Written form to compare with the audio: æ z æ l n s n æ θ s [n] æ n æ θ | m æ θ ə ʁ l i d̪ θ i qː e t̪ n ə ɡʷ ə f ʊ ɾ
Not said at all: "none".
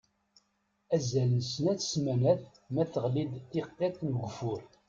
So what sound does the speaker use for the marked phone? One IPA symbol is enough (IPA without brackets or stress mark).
m